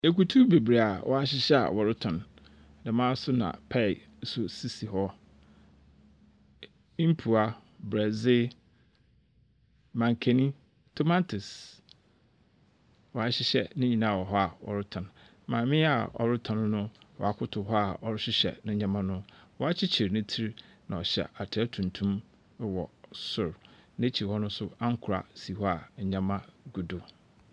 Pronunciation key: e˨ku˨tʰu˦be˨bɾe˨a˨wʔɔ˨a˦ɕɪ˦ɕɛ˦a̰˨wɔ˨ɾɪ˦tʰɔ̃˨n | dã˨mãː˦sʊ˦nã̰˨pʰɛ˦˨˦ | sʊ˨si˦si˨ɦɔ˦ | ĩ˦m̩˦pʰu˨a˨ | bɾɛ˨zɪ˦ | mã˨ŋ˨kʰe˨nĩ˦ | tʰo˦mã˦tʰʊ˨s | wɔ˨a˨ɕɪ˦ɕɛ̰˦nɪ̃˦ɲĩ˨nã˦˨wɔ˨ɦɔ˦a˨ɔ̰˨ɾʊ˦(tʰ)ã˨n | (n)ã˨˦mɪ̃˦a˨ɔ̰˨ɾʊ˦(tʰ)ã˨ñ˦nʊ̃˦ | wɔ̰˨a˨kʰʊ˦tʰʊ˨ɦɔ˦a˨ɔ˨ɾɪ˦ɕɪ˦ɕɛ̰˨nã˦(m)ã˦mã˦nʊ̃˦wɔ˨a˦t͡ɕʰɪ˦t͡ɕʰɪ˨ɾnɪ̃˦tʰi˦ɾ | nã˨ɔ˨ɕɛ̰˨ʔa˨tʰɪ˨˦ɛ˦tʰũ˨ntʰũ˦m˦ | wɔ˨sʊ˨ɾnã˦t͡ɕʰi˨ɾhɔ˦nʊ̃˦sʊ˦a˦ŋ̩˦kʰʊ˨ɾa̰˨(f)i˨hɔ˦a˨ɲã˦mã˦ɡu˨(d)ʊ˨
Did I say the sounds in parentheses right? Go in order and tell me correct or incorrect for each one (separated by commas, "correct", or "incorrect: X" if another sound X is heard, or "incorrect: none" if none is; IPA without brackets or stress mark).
correct, incorrect: m, correct, incorrect: ɲ, incorrect: s, correct